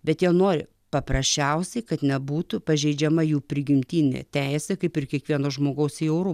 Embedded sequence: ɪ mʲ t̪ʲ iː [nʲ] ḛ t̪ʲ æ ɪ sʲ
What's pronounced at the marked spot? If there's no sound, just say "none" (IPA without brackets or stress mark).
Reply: nʲ